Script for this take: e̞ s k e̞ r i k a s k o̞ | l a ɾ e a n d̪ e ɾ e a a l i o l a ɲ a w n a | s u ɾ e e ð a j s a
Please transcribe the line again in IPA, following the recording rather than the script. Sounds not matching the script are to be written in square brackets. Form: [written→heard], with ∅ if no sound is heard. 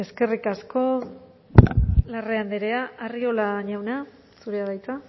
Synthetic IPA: e̞ s k e̞ r i k a s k o̞ | l a [ɾ→r] e a n d̪ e ɾ e a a [l→r] i o l a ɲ a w n a | s u ɾ e [e→a] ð a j [s→t͡s] a